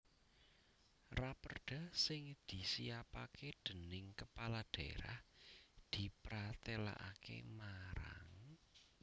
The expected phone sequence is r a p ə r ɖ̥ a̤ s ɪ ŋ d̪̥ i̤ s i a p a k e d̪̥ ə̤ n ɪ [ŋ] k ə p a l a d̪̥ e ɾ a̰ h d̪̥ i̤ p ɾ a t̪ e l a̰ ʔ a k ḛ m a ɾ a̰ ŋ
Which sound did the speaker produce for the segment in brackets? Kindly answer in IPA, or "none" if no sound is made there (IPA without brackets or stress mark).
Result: ŋ